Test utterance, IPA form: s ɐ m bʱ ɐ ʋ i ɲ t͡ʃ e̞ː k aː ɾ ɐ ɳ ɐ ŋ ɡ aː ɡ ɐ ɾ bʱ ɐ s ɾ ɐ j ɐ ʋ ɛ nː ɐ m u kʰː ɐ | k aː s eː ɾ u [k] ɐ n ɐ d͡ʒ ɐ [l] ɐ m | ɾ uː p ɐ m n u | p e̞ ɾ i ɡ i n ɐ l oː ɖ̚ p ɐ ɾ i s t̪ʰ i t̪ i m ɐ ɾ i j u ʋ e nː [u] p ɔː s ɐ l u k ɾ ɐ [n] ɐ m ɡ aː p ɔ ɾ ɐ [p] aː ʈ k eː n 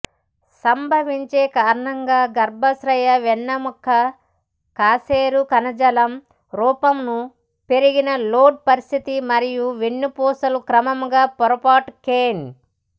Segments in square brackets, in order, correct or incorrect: correct, correct, correct, incorrect, correct

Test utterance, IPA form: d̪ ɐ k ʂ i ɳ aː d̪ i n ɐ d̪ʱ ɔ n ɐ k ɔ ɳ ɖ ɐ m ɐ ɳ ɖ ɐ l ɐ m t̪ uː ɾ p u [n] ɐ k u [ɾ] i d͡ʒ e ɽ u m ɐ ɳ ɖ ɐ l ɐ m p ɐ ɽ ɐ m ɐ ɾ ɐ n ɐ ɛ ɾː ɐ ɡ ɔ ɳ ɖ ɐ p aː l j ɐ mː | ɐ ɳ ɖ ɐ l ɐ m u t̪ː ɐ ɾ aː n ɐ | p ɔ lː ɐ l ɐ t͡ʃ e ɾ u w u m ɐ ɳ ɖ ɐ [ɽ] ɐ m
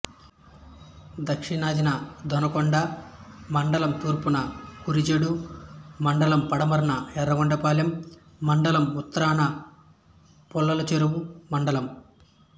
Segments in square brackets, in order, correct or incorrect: correct, correct, incorrect

